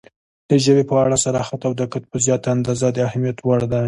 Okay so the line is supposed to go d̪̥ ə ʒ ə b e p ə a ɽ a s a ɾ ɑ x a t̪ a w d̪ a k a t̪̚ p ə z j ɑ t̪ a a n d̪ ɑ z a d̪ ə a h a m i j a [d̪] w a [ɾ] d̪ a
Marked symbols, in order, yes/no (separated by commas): no, no